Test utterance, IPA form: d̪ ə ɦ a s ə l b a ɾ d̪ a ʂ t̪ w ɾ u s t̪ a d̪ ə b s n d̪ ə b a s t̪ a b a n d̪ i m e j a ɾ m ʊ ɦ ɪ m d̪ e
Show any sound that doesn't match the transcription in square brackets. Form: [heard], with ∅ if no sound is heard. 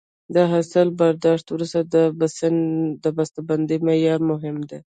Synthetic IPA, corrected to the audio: d̪ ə ɦ a s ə l b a ɾ d̪ [ɑ] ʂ t̪ w ɾ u s t̪ a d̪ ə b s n d̪ ə b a s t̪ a b a n d̪ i m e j [ɑ] ɾ m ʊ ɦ ɪ m d̪ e